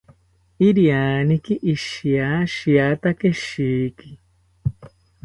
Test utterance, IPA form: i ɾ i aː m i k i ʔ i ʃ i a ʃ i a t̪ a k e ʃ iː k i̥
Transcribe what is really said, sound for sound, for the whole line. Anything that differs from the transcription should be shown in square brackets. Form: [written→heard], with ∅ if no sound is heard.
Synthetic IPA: i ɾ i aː [m→n] i k i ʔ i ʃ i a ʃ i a t̪ a k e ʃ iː k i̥